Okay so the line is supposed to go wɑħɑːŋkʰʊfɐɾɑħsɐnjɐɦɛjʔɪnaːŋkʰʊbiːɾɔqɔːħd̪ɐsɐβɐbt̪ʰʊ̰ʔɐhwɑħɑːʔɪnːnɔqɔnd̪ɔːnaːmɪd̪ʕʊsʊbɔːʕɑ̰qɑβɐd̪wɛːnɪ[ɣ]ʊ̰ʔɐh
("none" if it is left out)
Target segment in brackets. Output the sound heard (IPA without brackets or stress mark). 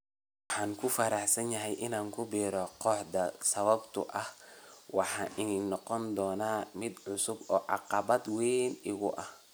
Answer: ɣ